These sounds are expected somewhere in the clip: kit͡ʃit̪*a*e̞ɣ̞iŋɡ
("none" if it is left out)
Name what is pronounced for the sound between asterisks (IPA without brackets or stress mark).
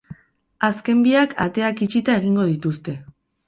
a